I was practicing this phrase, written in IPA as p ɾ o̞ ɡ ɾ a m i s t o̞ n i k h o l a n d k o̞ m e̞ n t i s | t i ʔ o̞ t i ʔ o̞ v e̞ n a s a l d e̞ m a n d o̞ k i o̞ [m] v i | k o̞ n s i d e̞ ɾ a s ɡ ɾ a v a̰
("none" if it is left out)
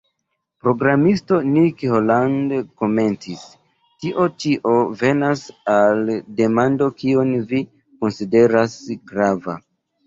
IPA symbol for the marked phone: n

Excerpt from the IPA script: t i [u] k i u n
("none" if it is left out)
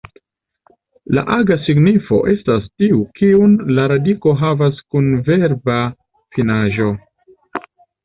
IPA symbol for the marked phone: u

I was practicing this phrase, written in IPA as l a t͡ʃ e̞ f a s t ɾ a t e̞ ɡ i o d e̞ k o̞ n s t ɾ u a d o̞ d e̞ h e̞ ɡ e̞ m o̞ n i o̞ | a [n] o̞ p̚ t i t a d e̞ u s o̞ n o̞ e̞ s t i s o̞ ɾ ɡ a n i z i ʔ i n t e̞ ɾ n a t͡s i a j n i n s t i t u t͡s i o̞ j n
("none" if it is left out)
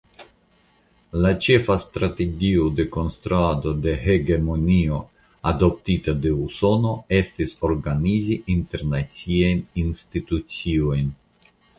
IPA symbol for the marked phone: d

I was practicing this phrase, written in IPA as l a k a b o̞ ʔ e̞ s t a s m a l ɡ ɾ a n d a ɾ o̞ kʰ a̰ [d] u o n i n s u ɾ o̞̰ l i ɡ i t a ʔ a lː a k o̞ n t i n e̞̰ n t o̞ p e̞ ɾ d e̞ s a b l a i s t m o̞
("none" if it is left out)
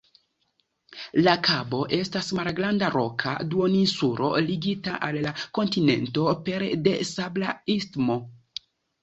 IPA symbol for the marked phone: d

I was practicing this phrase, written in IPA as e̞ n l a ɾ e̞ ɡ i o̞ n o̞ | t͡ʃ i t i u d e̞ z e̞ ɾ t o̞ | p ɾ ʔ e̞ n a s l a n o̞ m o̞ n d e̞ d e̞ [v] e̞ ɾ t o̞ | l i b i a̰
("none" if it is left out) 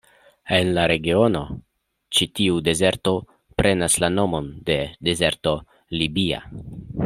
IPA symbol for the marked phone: z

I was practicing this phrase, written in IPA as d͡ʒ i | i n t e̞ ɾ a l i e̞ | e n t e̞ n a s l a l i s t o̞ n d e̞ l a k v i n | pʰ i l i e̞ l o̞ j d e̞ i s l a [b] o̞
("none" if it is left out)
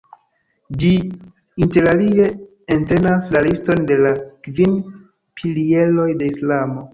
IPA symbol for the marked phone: m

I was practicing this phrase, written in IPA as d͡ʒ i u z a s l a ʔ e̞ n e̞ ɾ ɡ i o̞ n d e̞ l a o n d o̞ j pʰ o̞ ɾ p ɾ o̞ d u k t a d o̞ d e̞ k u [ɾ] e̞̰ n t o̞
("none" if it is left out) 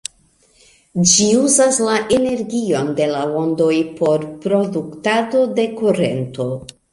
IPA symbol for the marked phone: ɾ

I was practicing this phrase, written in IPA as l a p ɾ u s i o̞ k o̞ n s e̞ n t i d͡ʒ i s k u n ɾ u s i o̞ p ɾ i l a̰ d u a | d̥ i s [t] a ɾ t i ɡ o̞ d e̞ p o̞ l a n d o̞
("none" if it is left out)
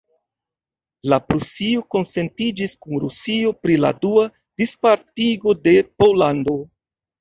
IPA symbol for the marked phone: p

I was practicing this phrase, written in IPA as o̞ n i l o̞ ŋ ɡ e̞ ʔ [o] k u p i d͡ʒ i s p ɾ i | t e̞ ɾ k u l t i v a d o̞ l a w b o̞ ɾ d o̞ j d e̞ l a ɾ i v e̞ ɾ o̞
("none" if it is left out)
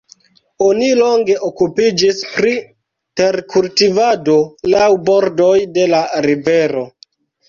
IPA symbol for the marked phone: o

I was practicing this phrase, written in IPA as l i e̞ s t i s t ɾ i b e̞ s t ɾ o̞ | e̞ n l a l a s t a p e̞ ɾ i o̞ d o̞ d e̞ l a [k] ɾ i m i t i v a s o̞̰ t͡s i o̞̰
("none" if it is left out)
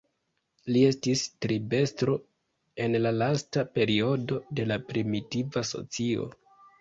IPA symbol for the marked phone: p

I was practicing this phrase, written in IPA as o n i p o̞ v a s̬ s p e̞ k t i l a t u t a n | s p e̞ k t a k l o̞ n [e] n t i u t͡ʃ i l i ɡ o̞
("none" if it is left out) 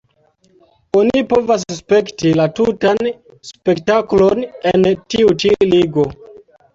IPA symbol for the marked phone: e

